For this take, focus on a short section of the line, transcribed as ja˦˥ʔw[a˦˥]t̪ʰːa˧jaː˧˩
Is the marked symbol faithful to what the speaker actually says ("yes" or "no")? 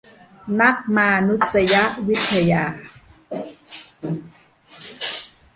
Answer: no